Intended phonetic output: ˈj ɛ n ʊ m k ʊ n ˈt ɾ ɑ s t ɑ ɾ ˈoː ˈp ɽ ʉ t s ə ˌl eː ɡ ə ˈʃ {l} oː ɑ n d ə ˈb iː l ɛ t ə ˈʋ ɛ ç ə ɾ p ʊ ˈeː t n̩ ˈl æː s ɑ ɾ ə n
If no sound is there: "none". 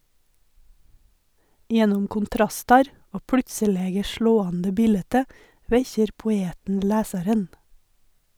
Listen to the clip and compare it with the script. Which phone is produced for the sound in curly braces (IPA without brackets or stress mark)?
ɭ